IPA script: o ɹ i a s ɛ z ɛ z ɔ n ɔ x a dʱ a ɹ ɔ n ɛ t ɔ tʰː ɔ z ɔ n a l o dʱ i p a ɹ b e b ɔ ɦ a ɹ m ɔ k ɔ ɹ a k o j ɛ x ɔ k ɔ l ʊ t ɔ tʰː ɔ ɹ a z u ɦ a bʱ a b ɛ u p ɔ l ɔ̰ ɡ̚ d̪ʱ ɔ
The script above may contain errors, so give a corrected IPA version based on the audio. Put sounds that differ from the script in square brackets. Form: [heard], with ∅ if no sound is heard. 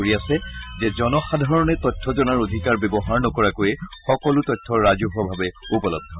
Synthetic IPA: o ɹ i a s ɛ z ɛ z ɔ n ɔ x a dʱ a ɹ ɔ n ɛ t ɔ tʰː ɔ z ɔ n a [ɹ] o dʱ i [k] a ɹ b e b ɔ ɦ a ɹ [n] ɔ k ɔ ɹ a k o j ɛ x ɔ k ɔ l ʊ t ɔ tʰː ɔ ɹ a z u ɦ a bʱ a b ɛ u p ɔ l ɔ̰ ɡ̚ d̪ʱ ɔ